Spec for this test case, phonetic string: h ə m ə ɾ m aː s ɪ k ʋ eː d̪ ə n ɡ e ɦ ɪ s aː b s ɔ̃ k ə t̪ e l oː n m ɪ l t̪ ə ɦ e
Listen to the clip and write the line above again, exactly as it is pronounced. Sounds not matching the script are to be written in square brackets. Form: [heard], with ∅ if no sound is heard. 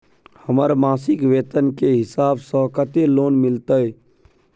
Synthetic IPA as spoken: h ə m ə ɾ m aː s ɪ k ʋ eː [t̪] ə n [k] e ɦ ɪ s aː b s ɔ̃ k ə t̪ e l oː n m ɪ l t̪ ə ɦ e